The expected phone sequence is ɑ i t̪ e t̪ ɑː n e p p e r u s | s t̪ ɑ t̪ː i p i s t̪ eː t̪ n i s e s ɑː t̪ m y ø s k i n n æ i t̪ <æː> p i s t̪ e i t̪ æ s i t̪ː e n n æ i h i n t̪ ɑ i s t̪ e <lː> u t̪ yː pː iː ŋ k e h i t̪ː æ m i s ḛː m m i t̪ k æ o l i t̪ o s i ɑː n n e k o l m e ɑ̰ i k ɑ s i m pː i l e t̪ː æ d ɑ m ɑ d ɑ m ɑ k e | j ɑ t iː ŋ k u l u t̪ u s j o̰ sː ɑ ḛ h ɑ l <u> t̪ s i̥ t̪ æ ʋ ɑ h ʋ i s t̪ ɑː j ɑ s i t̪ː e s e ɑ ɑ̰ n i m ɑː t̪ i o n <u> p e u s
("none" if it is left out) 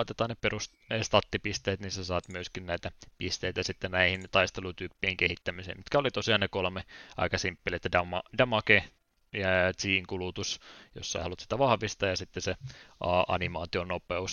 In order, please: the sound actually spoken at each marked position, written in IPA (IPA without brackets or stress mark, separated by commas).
æ, l, u, o